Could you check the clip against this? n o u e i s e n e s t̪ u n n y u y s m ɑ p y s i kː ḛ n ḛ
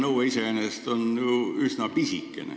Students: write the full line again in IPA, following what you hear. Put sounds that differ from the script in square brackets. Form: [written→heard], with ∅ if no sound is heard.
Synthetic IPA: n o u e i s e n e s t̪ [u→o] n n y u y s [m→n] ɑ p [y→i] s i kː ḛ n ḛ